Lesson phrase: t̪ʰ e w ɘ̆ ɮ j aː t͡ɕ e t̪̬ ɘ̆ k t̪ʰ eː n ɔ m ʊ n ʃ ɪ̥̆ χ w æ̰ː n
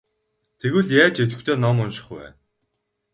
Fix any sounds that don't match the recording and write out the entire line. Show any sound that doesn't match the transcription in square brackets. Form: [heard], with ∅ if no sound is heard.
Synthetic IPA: t̪ʰ e [ɣ] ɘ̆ ɮ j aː t͡ɕ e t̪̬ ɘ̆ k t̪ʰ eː n ɔ m ʊ n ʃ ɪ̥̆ χ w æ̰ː n